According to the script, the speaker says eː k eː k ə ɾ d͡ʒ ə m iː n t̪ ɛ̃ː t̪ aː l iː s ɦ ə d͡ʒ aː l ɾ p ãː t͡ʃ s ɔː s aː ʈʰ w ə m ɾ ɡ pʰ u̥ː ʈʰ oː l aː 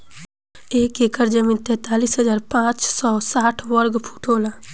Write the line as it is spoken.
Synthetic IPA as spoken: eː k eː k ə ɾ d͡ʒ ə m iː n t̪ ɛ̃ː t̪ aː l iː s ɦ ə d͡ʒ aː ɾ p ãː t͡ʃ s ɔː s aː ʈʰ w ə ɾ ɡ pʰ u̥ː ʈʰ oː l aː